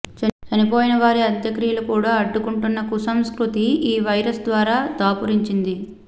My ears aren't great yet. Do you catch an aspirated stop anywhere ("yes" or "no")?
no